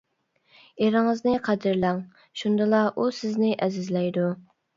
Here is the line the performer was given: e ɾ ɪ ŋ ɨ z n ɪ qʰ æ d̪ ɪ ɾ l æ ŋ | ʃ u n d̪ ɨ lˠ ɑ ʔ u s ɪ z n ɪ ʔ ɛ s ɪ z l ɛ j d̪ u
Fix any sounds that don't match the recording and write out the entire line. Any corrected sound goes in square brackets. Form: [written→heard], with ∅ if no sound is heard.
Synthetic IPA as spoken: e ɾ ɪ ŋ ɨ z n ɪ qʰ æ d̪ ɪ ɾ l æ ŋ | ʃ u n d̪ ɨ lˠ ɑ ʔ u s ɪ z n ɪ ʔ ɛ [s→z] ɪ z l ɛ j d̪ u

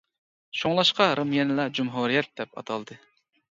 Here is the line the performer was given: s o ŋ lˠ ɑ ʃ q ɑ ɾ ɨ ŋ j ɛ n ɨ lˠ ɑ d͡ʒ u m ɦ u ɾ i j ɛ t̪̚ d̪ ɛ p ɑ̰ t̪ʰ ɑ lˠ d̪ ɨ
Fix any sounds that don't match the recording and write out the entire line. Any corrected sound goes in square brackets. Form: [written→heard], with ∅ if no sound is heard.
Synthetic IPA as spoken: [s→ʃ] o ŋ lˠ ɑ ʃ q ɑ ɾ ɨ [ŋ→m] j ɛ n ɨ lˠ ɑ d͡ʒ u m ɦ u ɾ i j ɛ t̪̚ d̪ ɛ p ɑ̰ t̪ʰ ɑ lˠ d̪ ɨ

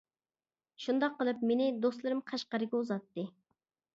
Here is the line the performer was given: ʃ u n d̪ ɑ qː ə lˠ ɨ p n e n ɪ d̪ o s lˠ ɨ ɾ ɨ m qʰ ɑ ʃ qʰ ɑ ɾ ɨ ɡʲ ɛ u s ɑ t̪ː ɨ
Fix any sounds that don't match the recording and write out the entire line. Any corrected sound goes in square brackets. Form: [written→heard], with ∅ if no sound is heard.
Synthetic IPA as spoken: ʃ u n d̪ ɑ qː ə lˠ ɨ p [n→m] e n ɪ d̪ o s lˠ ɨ ɾ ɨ m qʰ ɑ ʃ [qʰ→q] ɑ ɾ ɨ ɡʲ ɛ u [s→z] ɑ t̪ː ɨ

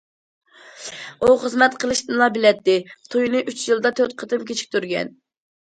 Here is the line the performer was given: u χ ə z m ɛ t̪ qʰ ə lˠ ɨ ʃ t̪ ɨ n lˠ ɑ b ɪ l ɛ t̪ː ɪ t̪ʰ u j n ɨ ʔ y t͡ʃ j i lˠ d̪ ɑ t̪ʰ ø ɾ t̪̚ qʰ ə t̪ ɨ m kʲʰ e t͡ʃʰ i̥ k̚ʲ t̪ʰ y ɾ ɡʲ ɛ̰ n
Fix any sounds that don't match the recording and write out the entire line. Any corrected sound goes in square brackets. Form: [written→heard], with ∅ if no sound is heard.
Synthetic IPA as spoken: u χ ə z m ɛ t̪ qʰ ə lˠ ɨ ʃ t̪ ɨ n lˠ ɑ b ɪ l ɛ t̪ː ɪ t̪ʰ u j n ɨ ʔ y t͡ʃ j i lˠ d̪ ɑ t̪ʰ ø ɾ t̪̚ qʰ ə t̪ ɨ m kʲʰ e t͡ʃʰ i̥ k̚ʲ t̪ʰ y ɾ ɡʲ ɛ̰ n

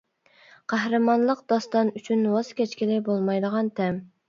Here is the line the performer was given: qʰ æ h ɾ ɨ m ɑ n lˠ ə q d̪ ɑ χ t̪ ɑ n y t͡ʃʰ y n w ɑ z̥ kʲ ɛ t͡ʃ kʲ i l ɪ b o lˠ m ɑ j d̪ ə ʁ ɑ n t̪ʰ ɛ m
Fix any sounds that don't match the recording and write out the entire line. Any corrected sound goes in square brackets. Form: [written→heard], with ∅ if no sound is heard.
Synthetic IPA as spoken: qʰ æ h ɾ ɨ m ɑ n lˠ ə q d̪ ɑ [χ→s] t̪ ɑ n y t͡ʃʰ y n w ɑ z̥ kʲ ɛ t͡ʃ kʲ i l ɪ b o lˠ m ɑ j d̪ ə ʁ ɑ n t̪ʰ ɛ m

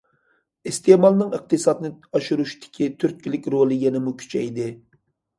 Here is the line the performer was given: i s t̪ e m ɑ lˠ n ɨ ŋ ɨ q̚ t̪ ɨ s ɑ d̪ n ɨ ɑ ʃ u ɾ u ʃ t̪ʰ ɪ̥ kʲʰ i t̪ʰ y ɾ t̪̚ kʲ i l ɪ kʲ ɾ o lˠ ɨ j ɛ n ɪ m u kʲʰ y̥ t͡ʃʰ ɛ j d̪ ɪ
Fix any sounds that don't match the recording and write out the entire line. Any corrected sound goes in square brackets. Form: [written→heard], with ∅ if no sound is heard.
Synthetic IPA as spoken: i s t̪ e m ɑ lˠ n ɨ ŋ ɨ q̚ t̪ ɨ s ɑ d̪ n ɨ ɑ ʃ u ɾ u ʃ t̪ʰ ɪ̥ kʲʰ i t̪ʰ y ɾ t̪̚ kʲ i l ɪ kʲ ɾ o lˠ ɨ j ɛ n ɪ m u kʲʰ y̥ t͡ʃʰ ɛ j d̪ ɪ

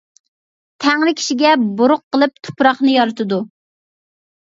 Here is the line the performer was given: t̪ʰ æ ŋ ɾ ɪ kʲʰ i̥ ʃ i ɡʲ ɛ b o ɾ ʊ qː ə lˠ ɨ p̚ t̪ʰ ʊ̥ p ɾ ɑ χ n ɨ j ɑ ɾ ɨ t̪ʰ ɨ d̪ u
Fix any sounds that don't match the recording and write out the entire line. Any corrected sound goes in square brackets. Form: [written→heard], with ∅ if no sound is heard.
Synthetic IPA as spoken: t̪ʰ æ ŋ [ɾ→l] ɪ kʲʰ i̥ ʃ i ɡʲ ɛ b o ɾ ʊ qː ə lˠ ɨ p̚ t̪ʰ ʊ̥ p ɾ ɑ χ n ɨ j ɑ ɾ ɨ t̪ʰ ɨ d̪ u

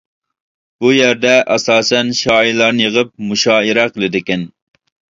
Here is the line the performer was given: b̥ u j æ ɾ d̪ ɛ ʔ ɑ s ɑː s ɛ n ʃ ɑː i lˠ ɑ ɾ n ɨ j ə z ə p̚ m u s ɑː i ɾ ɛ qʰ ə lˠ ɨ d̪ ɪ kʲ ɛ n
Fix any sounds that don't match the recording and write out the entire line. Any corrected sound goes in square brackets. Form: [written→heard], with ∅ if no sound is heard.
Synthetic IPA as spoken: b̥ u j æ ɾ d̪ ɛ ʔ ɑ s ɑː s ɛ n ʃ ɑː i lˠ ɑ ɾ n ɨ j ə [z→ʁ] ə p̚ m u [s→ʃ] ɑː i ɾ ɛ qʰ ə lˠ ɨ d̪ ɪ kʲ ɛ n

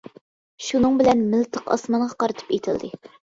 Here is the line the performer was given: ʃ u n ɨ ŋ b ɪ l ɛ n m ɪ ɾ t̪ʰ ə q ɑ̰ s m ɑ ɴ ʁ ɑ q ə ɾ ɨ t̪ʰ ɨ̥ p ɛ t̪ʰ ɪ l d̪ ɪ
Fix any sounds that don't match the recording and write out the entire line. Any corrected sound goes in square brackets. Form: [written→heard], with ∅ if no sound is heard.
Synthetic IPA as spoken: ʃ u n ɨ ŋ b ɪ l ɛ n m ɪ [ɾ→l] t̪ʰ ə q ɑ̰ s m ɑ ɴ ʁ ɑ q [ə→ɑ] ɾ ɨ t̪ʰ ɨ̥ p [ɛ→e] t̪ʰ ɪ l d̪ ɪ

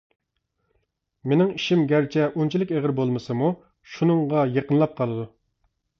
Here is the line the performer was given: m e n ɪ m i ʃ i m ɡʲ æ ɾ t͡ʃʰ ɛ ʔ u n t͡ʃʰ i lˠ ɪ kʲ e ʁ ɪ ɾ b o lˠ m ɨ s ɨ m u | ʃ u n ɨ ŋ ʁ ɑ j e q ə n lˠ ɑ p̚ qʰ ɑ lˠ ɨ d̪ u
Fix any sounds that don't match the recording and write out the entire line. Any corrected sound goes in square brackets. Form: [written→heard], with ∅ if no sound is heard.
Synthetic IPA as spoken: m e n ɪ [m→ŋ] i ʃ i m ɡʲ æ ɾ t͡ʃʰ ɛ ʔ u n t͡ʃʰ i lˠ ɪ kʲ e ʁ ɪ ɾ b o lˠ m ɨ s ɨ m u | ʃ u n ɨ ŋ ʁ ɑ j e q ə n lˠ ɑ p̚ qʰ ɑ lˠ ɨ d̪ u

